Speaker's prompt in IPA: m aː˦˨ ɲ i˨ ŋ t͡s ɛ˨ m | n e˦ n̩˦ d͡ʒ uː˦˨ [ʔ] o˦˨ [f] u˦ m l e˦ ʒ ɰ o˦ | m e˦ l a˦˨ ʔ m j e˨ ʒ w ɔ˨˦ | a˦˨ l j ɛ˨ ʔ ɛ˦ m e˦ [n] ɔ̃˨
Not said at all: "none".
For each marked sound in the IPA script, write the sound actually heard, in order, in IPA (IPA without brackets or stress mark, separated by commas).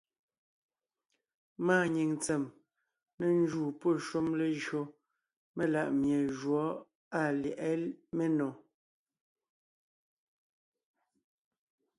p, ʃ, n